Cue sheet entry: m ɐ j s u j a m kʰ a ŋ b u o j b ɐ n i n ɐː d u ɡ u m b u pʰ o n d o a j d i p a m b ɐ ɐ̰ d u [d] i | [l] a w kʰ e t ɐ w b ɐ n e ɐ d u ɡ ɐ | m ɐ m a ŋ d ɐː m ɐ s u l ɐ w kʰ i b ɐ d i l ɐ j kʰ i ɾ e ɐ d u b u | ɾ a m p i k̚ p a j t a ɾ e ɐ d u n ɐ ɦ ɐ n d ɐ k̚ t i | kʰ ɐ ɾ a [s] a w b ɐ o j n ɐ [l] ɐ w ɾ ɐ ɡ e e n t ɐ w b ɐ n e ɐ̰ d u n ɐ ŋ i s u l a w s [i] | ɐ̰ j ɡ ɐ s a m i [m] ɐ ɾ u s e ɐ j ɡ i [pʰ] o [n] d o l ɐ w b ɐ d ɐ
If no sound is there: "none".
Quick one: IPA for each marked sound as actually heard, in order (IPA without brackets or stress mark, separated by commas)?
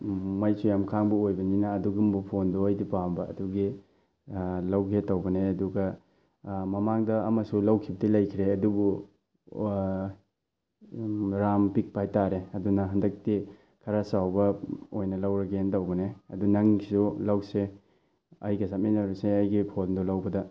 ɡ, l, s, l, e, n, pʰ, n